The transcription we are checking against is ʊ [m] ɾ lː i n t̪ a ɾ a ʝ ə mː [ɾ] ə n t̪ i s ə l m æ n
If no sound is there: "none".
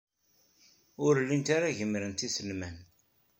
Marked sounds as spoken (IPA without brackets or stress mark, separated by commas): none, ɾ